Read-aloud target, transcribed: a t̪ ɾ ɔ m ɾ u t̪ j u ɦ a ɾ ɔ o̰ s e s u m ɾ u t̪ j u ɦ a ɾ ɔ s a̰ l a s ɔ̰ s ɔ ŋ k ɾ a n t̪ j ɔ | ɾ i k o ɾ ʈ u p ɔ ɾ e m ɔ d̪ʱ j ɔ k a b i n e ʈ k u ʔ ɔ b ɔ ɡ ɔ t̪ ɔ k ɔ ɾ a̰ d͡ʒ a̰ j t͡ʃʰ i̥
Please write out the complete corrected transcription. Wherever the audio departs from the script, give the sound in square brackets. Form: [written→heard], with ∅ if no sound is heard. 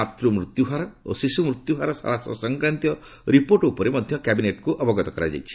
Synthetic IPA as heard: a t̪ ɾ [ɔ→u] m ɾ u t̪ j u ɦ a ɾ ɔ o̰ s [e→i] s u m ɾ u t̪ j u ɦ a ɾ ɔ s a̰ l a s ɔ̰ s ɔ ŋ k ɾ a n t̪ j ɔ | ɾ i [k→p] o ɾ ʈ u p ɔ ɾ e m ɔ d̪ʱ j ɔ k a b i n e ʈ k u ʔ ɔ b ɔ ɡ ɔ t̪ ɔ k ɔ ɾ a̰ d͡ʒ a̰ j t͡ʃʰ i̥